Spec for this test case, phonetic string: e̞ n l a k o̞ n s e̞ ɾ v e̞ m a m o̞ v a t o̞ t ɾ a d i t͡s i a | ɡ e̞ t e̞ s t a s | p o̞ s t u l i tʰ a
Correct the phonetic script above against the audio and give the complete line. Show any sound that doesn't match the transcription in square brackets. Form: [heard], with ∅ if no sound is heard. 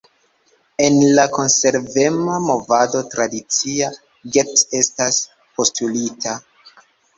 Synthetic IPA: e̞ n l a k o̞ n s e̞ ɾ v e̞ m a m o̞ v a [d] o̞ t ɾ a d i t͡s i a | ɡ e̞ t e̞ s t a s | p o̞ s t u l i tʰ a

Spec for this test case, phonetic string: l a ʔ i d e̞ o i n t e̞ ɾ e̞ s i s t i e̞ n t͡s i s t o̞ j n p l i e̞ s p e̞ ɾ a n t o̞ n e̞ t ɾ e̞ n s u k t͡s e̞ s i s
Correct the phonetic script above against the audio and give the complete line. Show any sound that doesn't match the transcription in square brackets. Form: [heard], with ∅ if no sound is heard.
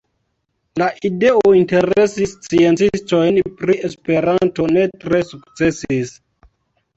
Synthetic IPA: l a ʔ i d e̞ o i n t e̞ ɾ e̞ s i s [t͡s] i e̞ n t͡s i s t o̞ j n p [ɾ] i e̞ s p e̞ ɾ a n t o̞ n e̞ t ɾ e̞ [∅] s u k t͡s e̞ s i s

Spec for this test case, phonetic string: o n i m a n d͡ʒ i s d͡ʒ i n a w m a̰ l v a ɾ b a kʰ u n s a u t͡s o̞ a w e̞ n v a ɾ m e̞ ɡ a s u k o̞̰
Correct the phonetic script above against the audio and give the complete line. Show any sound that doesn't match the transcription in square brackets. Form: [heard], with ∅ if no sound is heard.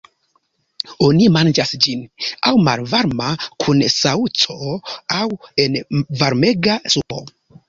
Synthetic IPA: o n i m a n d͡ʒ [a] s d͡ʒ i n a w m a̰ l v a ɾ [m] a kʰ u n s a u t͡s o̞ a w e̞ n v a ɾ m e̞ ɡ a s u [p] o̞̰

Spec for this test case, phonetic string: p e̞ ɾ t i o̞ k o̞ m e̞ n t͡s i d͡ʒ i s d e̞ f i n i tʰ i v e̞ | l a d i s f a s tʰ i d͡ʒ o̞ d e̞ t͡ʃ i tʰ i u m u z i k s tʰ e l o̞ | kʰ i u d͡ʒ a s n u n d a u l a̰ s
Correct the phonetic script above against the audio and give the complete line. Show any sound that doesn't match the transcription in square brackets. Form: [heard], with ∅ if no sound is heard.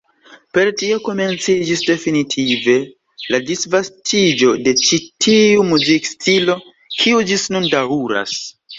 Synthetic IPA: p e̞ ɾ t i o̞ k o̞ m e̞ n t͡s i d͡ʒ i s d e̞ f i n i tʰ i v e̞ | l a d i s [v] a s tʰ i d͡ʒ o̞ d e̞ t͡ʃ i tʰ i u m u z i k s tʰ [i] l o̞ | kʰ i u d͡ʒ [i] s n u n d a u [ɾ] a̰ s

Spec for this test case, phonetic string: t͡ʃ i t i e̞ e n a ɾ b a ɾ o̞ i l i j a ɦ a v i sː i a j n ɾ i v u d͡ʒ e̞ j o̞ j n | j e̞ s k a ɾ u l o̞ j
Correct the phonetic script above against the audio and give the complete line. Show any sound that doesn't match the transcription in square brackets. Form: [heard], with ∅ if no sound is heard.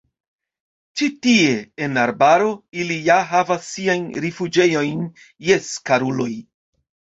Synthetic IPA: t͡ʃ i t i e̞ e n a ɾ b a ɾ o̞ i l i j a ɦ a v [a] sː i a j n ɾ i [f] u d͡ʒ e̞ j o̞ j n | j e̞ s k a ɾ u l o̞ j

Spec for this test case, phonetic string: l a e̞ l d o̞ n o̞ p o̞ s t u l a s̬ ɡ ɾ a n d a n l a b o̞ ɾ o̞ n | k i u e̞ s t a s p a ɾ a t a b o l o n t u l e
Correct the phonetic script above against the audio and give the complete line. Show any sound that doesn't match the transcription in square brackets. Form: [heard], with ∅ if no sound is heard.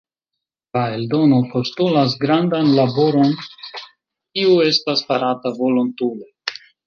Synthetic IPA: l a e̞ l d o̞ n o̞ p o̞ s t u l a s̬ ɡ ɾ a n d a n l a b o̞ ɾ o̞ n | k i u e̞ s t a s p a ɾ a t a [v] o l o n t u l e

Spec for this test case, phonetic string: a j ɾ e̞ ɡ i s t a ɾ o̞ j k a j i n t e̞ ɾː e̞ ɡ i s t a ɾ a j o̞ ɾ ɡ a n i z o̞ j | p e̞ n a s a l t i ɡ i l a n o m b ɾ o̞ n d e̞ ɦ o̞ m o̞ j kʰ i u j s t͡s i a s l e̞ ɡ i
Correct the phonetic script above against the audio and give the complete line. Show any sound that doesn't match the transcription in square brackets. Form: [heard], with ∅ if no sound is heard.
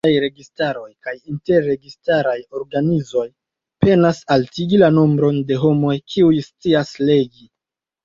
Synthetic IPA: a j ɾ e̞ ɡ i s t a ɾ o̞ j k a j i n t e̞ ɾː e̞ ɡ i s t a ɾ a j o̞ ɾ ɡ a n i z o̞ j | p e̞ n a s a l t i ɡ i l a n o m b ɾ o̞ n d e̞ ɦ o̞ m o̞ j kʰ i u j s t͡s i a s l e̞ ɡ i

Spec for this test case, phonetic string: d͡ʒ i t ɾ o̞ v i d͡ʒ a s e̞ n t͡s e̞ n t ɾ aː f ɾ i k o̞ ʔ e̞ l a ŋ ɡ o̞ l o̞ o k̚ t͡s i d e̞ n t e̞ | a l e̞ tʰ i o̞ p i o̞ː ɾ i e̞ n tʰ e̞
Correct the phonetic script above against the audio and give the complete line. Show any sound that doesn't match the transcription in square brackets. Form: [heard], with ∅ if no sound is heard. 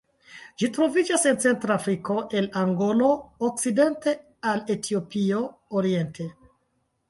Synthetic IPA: d͡ʒ i t ɾ o̞ v i d͡ʒ a s e̞ n t͡s e̞ n t ɾ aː f ɾ i k o̞ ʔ e̞ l a ŋ ɡ o̞ l o̞ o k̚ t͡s i d e̞ n t e̞ | a l e̞ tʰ i o̞ p i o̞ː ɾ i e̞ n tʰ e̞

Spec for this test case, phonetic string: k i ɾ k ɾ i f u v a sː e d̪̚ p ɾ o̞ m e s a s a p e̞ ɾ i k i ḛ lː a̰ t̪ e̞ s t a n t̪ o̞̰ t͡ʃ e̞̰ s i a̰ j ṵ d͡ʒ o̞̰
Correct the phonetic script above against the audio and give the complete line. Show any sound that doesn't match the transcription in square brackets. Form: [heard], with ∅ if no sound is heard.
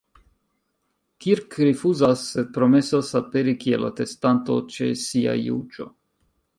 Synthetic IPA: k i ɾ k ɾ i f u [z] a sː e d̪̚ p ɾ o̞ m e s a s a p e̞ ɾ i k i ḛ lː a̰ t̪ e̞ s t a n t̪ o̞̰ t͡ʃ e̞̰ s i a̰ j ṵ d͡ʒ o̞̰

